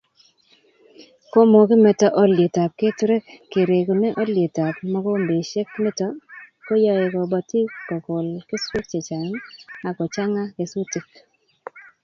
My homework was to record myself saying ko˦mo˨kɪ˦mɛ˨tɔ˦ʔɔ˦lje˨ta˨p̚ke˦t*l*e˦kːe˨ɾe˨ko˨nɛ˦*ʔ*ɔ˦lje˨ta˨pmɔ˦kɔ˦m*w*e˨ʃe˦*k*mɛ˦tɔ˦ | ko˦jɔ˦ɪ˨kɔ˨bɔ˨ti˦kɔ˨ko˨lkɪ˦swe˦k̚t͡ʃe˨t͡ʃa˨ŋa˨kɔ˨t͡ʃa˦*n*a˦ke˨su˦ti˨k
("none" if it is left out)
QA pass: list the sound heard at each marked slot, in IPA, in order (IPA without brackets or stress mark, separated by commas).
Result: ɾ, ʔ, b, k, ŋ